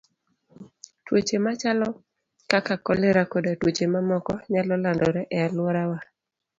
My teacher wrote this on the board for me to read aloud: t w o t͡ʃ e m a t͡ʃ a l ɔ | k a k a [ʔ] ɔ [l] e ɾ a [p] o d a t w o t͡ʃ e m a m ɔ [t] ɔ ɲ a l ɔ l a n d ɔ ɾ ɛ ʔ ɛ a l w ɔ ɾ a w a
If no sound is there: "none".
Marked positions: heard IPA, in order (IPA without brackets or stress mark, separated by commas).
k, l, k, k